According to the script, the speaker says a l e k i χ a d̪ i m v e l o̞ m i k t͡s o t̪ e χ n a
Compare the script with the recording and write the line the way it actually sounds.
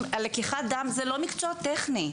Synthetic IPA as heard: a l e k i χ a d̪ a m z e l o̞ m i k t͡s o t̪ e χ n i